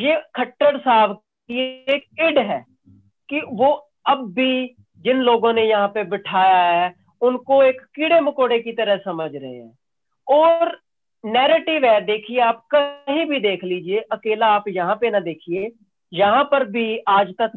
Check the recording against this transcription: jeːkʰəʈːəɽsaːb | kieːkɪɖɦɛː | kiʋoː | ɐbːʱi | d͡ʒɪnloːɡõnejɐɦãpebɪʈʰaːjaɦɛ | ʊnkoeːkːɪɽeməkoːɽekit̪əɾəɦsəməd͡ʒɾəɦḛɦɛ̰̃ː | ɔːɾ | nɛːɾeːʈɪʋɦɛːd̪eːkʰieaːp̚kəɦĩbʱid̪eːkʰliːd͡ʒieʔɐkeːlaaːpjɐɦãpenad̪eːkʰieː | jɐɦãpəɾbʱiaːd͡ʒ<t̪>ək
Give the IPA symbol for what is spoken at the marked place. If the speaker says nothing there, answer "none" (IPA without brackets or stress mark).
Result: t̪